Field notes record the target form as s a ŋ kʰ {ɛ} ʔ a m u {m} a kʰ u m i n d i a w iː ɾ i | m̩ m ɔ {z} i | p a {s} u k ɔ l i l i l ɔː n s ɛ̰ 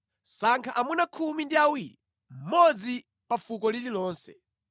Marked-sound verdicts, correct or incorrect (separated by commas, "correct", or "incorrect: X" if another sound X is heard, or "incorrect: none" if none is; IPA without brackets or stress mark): incorrect: a, incorrect: n, incorrect: d͡z, incorrect: f